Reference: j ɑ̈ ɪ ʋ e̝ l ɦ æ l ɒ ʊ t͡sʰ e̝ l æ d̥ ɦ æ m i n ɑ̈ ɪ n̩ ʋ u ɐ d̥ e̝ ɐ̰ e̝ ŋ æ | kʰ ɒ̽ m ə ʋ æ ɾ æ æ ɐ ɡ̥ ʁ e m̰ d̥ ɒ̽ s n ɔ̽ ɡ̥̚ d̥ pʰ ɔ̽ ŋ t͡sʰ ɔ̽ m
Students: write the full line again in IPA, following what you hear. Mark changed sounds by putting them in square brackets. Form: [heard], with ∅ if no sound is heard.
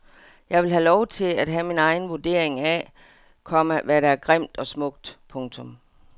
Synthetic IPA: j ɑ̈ ɪ ʋ e̝ l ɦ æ l ɒ ʊ t͡sʰ e̝ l æ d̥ ɦ æ m i n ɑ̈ ɪ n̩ ʋ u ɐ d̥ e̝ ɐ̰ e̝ ŋ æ | kʰ ɒ̽ m ə ʋ æ ɾ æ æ ɐ ɡ̥ ʁ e m̰ d̥ ɒ̽ s [m] ɔ̽ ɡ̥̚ d̥ pʰ ɔ̽ ŋ t͡sʰ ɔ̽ m